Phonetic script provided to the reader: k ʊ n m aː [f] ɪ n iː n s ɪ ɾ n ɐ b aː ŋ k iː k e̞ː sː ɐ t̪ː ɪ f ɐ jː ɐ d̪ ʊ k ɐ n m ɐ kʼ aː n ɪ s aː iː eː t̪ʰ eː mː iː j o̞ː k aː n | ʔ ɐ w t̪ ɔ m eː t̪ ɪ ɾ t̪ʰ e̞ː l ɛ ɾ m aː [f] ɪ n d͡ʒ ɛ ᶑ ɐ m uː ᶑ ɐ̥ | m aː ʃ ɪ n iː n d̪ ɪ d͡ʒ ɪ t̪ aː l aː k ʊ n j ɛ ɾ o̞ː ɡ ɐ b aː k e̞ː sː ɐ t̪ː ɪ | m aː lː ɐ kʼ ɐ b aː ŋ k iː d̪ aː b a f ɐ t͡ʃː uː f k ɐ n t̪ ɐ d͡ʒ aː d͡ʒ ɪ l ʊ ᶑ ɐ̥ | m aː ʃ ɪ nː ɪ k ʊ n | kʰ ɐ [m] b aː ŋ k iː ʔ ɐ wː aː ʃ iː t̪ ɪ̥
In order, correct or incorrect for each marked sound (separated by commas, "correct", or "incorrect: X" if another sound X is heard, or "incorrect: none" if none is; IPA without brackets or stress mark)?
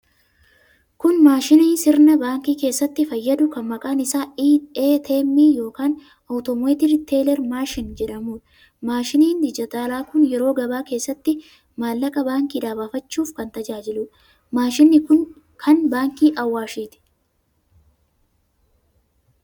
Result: incorrect: ʃ, incorrect: ʃ, incorrect: n